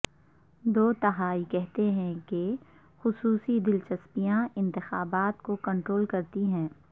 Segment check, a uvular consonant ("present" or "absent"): absent